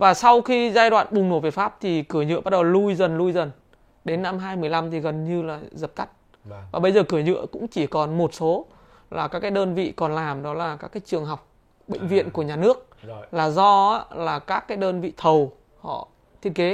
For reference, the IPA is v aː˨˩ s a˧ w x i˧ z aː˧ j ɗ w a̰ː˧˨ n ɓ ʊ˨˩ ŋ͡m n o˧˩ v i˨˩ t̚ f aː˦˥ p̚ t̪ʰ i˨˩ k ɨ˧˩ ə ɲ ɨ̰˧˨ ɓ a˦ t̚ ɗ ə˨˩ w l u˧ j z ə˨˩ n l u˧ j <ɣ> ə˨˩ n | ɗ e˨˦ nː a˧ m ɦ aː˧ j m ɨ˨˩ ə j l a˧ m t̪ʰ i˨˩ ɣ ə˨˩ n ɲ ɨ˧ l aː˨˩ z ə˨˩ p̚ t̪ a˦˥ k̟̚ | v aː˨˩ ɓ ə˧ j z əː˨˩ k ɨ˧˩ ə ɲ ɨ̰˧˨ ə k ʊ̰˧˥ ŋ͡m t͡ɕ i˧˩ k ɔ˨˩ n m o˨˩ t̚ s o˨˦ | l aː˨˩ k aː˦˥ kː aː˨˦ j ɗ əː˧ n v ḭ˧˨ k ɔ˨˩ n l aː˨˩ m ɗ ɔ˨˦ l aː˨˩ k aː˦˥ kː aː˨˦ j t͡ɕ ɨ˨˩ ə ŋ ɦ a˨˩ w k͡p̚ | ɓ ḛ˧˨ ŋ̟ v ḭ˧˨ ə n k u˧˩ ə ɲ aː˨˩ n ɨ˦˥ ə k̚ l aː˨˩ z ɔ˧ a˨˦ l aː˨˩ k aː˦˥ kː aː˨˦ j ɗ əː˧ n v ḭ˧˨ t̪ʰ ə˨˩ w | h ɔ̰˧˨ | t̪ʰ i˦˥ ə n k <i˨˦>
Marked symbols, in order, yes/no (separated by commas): no, no